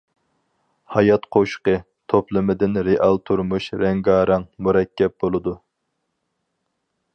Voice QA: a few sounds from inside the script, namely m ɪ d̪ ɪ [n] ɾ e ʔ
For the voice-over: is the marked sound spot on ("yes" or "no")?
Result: yes